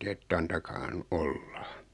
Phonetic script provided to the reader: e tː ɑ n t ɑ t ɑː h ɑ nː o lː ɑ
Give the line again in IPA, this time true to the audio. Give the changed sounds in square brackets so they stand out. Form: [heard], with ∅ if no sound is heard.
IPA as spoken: e tː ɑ n t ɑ [k] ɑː h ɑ [n] o lː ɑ